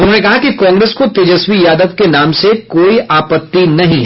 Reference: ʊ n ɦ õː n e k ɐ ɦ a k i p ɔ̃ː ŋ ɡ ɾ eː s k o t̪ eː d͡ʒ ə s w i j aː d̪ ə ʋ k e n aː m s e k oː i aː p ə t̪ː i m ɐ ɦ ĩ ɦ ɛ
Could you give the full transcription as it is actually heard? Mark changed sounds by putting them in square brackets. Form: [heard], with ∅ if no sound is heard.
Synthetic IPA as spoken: ʊ n ɦ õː n e k ɐ ɦ a k i [k] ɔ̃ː ŋ ɡ ɾ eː s k o t̪ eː d͡ʒ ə s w i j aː d̪ ə ʋ k e n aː m s e k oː i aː p ə t̪ː i [n] ɐ ɦ ĩ ɦ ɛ